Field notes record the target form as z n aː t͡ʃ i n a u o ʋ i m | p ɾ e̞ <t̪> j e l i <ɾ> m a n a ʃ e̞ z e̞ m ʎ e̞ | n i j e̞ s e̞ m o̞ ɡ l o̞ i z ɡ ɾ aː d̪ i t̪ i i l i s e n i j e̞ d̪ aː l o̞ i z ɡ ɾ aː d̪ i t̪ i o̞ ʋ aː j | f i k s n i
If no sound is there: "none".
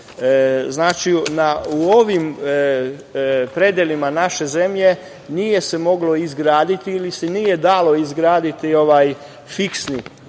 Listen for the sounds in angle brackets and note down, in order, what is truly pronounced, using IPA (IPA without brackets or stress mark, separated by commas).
d̪, none